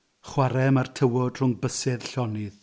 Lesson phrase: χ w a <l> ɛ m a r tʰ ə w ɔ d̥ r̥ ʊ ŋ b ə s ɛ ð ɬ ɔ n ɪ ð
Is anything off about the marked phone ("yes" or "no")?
yes